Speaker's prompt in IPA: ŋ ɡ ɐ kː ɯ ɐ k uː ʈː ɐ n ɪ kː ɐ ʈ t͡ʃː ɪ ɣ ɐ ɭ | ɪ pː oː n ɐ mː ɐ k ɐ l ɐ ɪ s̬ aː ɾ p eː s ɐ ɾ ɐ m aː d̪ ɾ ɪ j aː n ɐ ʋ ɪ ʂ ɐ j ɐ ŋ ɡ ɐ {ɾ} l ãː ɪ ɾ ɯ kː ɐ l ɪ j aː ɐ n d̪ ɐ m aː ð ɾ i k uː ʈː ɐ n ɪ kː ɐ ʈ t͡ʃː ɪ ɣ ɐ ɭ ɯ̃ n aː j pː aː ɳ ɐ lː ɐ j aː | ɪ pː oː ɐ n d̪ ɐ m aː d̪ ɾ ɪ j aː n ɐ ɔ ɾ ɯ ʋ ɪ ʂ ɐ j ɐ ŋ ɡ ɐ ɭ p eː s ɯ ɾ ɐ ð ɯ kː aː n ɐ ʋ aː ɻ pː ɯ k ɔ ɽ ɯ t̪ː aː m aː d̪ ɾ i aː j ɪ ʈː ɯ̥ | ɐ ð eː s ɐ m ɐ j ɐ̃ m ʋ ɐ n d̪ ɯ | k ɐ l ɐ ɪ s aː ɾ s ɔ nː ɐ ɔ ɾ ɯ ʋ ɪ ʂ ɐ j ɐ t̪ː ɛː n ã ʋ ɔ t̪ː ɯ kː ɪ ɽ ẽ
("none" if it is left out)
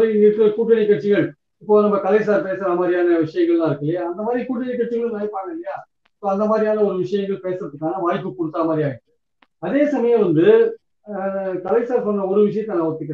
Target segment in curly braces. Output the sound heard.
ɭ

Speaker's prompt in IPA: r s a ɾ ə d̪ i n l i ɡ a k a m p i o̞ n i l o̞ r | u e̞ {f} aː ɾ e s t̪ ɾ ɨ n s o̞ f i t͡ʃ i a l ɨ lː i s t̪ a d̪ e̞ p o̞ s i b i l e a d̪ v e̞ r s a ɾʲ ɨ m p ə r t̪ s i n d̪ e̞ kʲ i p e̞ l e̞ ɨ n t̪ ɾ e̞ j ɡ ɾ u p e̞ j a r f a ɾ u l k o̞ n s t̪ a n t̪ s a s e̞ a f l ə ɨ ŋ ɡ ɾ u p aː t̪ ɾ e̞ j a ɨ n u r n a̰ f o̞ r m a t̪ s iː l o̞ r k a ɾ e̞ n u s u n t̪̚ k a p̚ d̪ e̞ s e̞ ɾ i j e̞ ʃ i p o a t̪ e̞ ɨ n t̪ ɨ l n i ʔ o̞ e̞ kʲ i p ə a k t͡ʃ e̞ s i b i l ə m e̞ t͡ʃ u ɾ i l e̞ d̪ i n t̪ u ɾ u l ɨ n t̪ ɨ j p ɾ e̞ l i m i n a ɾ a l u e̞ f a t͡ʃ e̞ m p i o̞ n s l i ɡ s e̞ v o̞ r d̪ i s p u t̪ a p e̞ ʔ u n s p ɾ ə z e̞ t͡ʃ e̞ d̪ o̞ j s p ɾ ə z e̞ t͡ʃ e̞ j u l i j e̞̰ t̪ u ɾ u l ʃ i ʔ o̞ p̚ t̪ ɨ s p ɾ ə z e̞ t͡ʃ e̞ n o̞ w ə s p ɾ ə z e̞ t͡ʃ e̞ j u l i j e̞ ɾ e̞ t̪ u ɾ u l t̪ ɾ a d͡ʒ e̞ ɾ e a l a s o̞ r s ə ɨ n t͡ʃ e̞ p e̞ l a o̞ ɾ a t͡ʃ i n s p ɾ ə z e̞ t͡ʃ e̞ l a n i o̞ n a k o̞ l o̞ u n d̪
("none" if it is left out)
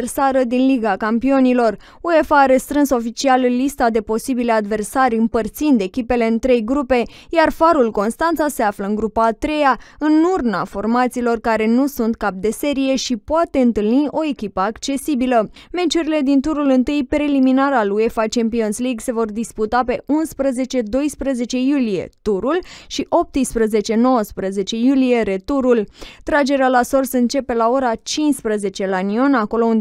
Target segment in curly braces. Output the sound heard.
f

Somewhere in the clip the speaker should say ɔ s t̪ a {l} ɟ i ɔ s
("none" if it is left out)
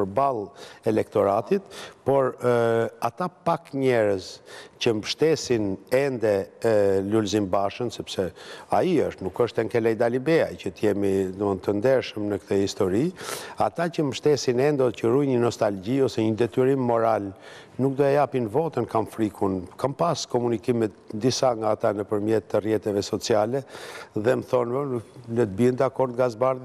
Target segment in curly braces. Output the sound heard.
l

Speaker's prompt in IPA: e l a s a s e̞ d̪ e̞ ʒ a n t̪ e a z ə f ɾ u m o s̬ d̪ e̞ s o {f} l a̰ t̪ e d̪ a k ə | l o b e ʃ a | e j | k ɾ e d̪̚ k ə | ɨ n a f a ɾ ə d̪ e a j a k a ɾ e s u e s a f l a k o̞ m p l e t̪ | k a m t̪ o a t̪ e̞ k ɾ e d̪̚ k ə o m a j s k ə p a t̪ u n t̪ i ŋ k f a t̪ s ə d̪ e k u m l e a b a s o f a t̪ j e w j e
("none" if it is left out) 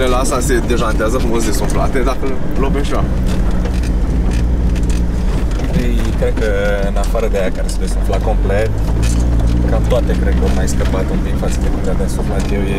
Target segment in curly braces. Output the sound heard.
f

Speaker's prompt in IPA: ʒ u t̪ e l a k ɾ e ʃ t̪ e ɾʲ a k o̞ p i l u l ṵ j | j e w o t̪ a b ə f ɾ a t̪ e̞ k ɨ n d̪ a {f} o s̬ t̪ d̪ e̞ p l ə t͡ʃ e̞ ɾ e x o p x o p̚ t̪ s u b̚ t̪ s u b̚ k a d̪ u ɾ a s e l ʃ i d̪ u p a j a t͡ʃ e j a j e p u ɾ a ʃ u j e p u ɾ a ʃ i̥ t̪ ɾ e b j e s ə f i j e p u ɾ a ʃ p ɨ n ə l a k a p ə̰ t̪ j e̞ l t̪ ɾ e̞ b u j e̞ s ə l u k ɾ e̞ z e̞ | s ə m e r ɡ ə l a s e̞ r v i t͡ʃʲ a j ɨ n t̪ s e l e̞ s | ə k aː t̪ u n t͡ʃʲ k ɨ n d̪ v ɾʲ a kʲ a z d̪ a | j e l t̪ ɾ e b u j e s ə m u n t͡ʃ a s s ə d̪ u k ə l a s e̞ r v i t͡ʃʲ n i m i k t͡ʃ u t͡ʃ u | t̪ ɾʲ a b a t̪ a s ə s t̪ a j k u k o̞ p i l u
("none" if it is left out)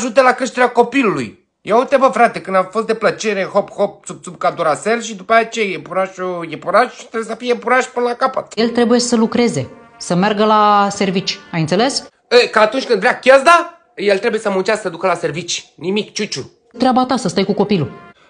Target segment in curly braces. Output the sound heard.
f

